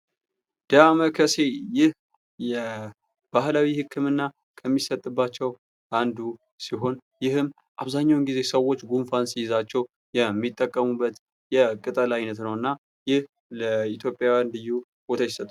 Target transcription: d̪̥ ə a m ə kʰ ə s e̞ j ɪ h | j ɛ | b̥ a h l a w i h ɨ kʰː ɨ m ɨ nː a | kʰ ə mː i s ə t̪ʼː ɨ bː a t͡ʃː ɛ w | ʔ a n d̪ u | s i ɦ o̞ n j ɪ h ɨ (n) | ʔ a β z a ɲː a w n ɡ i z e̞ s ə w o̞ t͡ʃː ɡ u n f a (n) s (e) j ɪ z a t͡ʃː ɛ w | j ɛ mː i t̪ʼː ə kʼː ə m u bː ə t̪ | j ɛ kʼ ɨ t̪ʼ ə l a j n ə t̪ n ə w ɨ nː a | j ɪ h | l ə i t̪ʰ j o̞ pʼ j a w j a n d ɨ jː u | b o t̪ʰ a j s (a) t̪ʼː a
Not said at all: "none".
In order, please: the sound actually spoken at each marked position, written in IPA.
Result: m, n, i, ə

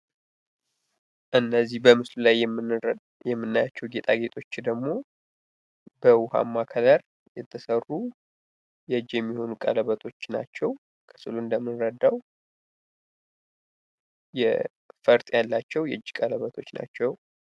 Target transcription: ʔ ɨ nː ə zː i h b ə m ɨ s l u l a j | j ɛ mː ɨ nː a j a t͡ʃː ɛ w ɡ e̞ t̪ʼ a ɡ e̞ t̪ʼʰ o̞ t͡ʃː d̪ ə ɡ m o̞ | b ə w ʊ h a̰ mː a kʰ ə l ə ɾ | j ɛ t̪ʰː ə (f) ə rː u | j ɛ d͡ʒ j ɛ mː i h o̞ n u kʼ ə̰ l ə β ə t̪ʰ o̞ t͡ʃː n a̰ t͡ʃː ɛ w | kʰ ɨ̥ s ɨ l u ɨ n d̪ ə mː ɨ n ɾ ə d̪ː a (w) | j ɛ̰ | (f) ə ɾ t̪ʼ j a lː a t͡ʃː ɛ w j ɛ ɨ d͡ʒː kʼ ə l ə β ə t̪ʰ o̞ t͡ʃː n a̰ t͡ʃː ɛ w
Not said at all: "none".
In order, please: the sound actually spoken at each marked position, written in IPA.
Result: s, w, f

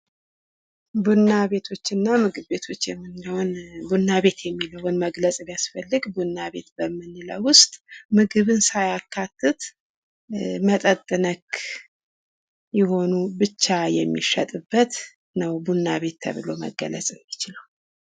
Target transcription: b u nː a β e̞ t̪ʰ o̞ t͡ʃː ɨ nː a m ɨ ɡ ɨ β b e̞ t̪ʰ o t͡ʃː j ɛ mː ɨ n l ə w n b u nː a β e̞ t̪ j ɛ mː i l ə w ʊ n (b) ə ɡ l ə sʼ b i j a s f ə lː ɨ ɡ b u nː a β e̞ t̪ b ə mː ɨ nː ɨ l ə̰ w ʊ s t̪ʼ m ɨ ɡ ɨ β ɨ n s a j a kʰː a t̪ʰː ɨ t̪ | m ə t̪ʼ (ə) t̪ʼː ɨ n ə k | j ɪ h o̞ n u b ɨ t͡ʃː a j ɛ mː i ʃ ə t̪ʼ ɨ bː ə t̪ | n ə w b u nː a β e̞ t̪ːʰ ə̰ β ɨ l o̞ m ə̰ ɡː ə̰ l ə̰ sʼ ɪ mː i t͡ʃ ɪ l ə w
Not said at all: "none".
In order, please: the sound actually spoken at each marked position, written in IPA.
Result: m, ə

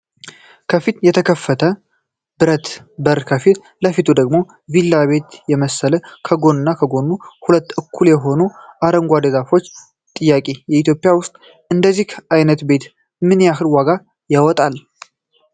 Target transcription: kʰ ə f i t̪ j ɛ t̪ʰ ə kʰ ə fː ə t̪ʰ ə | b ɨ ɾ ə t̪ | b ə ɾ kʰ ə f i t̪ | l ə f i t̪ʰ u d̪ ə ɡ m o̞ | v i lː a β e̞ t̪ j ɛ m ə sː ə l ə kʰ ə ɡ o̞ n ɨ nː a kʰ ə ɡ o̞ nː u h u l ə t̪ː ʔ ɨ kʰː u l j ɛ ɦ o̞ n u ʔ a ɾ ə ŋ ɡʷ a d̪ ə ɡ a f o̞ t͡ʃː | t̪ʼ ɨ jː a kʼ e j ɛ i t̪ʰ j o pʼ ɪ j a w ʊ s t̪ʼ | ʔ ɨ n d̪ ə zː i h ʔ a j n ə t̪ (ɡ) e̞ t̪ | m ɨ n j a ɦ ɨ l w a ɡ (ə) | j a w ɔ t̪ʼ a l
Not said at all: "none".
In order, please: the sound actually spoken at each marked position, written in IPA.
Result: b, a

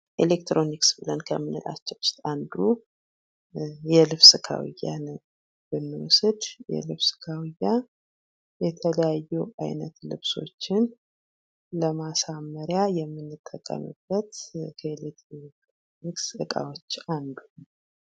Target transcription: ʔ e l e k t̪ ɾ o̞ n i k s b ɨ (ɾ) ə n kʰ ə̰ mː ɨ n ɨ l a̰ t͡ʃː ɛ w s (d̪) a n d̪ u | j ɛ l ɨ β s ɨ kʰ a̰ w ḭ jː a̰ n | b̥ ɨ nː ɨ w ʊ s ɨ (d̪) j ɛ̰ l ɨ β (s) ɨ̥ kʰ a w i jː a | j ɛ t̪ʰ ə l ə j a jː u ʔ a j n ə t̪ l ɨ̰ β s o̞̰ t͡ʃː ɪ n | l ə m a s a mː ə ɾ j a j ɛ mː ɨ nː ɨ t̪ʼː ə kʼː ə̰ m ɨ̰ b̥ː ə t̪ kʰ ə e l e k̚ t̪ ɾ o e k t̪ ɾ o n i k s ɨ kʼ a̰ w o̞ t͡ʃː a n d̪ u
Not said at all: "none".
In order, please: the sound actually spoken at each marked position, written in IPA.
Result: l, t̪, d̪, s

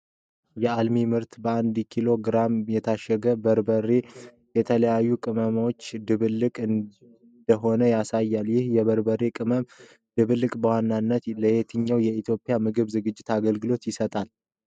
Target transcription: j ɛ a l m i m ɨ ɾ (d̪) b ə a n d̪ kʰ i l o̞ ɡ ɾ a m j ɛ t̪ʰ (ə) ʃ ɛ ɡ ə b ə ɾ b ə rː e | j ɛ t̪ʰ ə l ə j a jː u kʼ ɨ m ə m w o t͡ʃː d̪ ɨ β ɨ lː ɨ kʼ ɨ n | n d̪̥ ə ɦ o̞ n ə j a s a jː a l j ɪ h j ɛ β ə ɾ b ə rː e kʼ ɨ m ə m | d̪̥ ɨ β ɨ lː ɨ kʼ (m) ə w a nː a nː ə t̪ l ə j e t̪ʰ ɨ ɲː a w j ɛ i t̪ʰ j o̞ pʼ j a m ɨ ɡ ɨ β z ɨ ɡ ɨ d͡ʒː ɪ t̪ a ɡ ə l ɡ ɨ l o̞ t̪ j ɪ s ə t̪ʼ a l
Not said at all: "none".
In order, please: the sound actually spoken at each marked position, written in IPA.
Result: t̪, a, b

